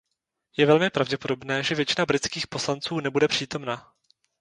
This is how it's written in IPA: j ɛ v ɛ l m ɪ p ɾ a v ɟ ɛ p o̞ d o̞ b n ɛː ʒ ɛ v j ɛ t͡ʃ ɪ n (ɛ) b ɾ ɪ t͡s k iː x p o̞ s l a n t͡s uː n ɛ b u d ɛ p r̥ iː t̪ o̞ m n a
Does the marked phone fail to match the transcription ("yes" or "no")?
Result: yes